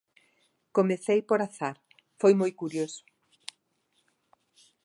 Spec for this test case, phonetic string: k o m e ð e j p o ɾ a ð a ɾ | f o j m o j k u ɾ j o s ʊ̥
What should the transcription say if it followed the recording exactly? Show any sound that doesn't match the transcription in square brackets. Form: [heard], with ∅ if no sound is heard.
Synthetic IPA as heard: k o m e [θ] e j p o ɾ a [θ] a ɾ | f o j m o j k u ɾ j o s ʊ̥